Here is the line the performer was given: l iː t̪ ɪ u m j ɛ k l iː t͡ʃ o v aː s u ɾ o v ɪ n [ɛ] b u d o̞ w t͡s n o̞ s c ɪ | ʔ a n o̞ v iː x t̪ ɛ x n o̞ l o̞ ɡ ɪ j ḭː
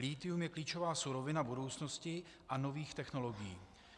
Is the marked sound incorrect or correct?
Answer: incorrect